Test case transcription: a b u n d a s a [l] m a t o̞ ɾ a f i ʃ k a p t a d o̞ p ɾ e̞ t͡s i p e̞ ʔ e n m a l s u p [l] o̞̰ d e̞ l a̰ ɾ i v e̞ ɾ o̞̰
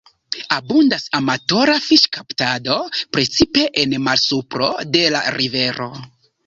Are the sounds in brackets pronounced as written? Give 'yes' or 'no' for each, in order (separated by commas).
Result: no, no